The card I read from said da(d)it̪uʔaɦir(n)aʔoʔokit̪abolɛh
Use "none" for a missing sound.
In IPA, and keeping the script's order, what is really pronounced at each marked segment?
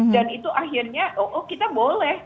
n, ɲ

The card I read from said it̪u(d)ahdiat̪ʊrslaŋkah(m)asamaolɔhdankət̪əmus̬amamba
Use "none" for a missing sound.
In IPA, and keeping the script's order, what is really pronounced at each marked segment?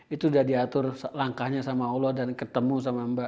d, ɲ

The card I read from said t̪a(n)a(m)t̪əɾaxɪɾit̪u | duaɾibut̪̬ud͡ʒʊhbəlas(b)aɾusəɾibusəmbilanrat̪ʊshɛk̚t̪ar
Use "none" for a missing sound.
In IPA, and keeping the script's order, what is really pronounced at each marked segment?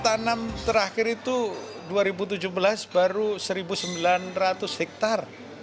n, m, b

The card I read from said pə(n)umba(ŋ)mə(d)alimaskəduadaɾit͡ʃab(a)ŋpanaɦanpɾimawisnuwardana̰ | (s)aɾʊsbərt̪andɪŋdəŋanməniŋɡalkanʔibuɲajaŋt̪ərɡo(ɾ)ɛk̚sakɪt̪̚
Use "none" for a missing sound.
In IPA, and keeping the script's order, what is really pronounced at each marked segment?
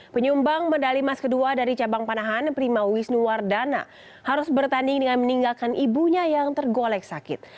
ɲ, ŋ, d, a, h, l

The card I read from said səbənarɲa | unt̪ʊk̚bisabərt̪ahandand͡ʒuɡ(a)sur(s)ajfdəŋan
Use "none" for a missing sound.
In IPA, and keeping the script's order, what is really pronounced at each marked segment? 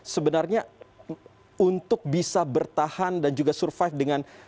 a, f

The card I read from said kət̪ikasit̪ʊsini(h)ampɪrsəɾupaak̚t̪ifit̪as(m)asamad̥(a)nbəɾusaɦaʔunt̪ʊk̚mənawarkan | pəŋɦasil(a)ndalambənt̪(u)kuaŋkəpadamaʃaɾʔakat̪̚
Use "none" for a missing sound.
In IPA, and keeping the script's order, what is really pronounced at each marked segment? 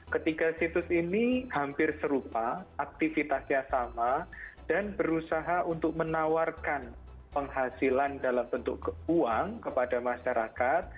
h, ɲ, a, a, ʊ

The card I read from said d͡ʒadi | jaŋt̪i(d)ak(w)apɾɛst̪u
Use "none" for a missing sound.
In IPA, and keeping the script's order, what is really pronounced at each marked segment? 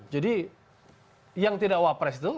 d, w

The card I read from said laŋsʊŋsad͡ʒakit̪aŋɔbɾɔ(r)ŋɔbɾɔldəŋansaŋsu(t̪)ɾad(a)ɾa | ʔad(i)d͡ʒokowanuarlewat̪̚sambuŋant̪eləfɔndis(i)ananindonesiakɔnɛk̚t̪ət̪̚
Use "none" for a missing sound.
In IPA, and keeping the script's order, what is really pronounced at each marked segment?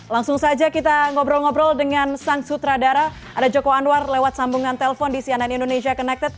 l, t̪, a, a, i

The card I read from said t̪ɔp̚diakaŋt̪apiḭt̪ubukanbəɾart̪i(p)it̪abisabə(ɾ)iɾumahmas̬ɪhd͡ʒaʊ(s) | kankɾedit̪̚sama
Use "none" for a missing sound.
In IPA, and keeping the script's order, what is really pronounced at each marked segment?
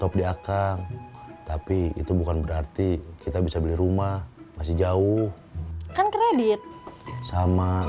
k, l, h

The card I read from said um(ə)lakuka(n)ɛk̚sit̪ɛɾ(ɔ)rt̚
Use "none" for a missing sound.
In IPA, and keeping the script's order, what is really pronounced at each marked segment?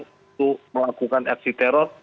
ə, n, ɔ

